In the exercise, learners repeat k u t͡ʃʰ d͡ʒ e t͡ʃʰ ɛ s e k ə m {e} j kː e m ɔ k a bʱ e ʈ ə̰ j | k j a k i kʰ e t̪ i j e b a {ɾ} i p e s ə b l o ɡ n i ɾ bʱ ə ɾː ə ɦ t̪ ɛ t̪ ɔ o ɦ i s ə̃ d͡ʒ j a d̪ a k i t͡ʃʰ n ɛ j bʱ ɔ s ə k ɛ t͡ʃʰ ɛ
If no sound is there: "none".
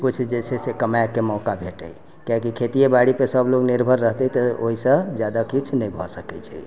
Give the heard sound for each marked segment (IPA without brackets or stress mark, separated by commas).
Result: a, ɽ